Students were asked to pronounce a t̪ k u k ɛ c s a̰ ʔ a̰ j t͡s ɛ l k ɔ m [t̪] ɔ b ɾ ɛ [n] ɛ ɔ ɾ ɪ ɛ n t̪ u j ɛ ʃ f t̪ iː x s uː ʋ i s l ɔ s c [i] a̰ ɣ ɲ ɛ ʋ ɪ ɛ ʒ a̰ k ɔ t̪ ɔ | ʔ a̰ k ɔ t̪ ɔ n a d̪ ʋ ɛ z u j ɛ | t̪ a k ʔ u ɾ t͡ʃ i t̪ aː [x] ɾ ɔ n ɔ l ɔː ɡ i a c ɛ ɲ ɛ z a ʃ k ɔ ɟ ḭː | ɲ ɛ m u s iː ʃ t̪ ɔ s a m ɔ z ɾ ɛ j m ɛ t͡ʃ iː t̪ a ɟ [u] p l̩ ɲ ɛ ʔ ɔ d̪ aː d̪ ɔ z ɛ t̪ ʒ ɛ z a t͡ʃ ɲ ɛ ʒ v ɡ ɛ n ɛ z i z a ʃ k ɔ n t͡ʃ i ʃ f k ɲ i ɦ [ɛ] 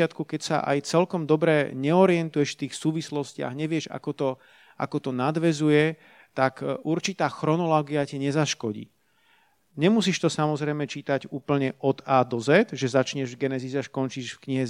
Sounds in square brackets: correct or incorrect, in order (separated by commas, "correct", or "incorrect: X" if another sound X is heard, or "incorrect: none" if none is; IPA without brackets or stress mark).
incorrect: d̪, incorrect: ɲ, incorrect: ɪ, correct, incorrect: uː, correct